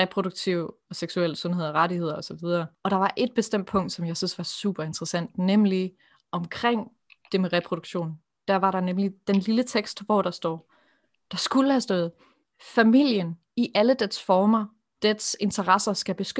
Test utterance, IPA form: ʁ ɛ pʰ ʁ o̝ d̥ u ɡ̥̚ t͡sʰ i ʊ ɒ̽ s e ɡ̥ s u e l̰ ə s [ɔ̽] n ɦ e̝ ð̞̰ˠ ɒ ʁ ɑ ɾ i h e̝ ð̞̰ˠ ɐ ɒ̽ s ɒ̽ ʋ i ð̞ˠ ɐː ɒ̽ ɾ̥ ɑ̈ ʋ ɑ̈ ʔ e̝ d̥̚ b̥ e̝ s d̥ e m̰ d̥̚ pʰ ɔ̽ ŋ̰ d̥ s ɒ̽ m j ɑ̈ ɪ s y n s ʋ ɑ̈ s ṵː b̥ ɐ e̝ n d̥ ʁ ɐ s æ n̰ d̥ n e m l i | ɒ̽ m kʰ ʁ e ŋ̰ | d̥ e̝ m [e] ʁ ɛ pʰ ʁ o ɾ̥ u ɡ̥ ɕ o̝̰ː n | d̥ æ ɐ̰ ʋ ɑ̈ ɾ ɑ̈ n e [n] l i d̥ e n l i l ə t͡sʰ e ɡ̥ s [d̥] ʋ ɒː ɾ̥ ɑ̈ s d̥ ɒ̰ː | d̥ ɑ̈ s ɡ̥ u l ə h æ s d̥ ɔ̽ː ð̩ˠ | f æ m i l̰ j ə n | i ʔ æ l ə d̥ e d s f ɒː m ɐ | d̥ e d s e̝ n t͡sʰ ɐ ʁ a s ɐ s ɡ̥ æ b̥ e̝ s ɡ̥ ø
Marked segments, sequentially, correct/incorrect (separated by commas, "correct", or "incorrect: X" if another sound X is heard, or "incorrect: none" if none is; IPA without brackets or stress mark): correct, correct, incorrect: m, correct